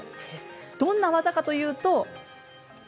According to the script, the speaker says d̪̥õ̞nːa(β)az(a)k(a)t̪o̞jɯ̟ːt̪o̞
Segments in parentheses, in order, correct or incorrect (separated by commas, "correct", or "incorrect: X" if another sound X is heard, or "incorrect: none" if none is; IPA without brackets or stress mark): correct, correct, correct